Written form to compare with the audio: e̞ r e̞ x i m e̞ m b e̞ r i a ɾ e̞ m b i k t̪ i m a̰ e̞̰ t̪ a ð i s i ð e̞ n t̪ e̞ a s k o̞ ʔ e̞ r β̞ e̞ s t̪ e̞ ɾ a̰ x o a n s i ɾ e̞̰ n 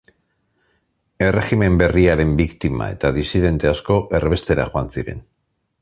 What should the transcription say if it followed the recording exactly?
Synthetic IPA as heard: e̞ r e̞ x i m e̞ m b e̞ r i a ɾ e̞ m b i k t̪ i m a̰ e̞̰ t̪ a ð i s i ð e̞ n t̪ e̞ a s k o̞ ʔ e̞ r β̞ e̞ s t̪ e̞ ɾ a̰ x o a n s i ɾ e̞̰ n